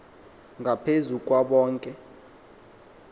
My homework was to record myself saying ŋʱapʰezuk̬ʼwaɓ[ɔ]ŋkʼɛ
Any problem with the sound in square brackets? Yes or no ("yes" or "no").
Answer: yes